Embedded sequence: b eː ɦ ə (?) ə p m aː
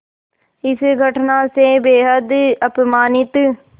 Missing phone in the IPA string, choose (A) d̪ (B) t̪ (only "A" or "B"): A